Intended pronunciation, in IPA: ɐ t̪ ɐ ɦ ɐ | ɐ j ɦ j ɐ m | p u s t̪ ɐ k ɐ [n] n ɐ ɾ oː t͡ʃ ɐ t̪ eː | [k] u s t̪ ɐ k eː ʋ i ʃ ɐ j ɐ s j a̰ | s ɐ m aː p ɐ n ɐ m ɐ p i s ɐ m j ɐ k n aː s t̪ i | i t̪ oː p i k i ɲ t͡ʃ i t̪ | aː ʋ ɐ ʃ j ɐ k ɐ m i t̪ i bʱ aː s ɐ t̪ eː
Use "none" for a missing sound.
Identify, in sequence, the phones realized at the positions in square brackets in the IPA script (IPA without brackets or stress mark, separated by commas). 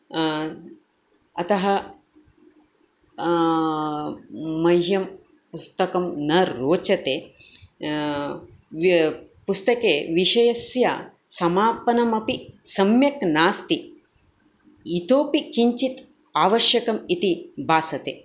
m, p